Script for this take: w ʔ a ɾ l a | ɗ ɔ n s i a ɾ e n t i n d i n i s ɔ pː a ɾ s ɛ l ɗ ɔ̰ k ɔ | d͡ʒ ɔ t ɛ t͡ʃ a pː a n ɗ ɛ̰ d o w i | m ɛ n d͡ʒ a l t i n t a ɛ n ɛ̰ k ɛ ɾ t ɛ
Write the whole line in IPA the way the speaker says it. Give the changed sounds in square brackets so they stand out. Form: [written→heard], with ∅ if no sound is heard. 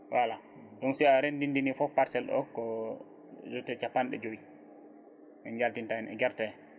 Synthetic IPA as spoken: w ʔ a [ɾ→∅] l a | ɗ ɔ n s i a ɾ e n [t→d] i n d i n i [s→f] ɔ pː a ɾ s ɛ l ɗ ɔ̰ k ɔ | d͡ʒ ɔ t ɛ t͡ʃ a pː a n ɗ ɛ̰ [d→d͡ʒ] o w i | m ɛ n d͡ʒ a l t i n t a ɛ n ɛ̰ [k→ɡ] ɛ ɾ t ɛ